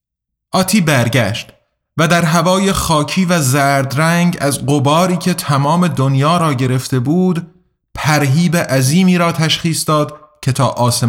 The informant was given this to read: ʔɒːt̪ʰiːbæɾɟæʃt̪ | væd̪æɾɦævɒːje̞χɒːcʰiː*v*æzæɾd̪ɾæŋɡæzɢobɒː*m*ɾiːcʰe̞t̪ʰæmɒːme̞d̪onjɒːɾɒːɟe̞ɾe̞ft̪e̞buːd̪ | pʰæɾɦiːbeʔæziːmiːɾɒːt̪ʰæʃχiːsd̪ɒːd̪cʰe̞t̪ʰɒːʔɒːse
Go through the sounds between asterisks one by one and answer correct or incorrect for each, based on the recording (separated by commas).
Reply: correct, incorrect